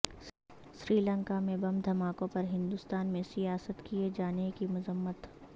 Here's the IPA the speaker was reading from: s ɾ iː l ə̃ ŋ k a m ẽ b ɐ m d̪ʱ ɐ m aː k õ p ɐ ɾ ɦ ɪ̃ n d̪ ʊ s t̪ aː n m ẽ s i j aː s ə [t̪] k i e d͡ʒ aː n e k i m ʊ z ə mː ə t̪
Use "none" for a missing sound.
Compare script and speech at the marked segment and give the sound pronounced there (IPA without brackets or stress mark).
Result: t̪